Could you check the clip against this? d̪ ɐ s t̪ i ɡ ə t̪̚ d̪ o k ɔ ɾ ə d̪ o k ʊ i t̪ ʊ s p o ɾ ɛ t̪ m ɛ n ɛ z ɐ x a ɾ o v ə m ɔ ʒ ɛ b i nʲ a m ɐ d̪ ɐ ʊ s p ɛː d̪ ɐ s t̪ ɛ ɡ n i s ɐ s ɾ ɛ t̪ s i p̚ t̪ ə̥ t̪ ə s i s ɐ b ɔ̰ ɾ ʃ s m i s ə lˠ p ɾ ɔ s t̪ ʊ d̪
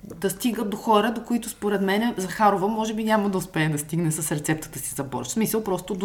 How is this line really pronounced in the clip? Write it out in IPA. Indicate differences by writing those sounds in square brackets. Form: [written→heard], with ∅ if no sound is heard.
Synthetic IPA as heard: d̪ ɐ s t̪ i ɡ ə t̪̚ d̪ o [k→x] ɔ ɾ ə d̪ o k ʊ i t̪ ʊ s p o ɾ ɛ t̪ m ɛ n ɛ z ɐ x a ɾ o v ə m ɔ ʒ ɛ b i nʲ a m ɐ d̪ ɐ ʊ s p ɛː d̪ ɐ s t̪ [ɛ→i] ɡ n [i→ɛ] s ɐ s ɾ ɛ t̪ s [i→ɛ] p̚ t̪ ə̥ t̪ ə s i [s→z] ɐ b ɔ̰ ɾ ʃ s m i s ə lˠ p ɾ ɔ s t̪ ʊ d̪